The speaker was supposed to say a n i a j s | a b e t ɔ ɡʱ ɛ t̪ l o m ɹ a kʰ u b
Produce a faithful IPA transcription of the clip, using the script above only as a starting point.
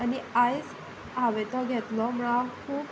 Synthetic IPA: a n i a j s | a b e t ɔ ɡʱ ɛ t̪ l ɔ m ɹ a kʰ u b